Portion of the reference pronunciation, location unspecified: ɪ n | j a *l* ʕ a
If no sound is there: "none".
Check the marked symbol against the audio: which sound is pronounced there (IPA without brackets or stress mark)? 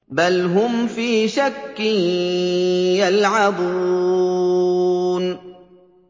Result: l